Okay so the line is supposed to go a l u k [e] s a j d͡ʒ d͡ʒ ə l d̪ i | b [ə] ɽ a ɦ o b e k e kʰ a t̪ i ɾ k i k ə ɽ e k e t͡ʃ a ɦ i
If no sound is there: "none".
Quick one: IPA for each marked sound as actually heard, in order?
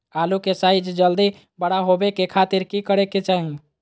e, ə

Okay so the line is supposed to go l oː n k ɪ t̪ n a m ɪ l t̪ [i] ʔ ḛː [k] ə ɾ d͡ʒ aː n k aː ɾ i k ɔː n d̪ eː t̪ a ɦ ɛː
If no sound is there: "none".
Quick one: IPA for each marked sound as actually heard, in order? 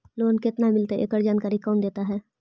e, k

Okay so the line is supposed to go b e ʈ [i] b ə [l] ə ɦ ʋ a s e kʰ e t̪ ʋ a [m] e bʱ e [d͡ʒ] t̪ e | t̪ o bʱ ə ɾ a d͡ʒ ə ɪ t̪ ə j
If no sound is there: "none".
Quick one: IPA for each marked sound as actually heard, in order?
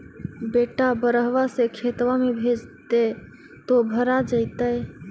a, ɾ, m, d͡ʒ

